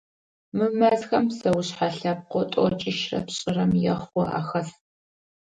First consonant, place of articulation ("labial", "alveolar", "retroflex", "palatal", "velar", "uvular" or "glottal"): labial